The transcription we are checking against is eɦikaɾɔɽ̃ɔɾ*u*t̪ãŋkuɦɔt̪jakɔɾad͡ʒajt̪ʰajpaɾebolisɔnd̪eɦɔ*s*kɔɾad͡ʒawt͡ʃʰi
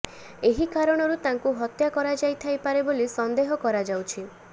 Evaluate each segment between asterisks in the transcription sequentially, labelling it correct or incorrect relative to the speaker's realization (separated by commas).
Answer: correct, incorrect